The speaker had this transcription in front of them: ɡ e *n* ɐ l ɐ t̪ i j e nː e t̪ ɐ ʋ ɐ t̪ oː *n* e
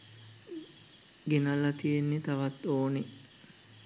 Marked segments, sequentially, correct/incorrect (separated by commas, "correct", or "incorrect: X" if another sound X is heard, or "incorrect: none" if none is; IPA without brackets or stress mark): correct, correct